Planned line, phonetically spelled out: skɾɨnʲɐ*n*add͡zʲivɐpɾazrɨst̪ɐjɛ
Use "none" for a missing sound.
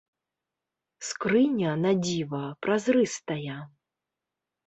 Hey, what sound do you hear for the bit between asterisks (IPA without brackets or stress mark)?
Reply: n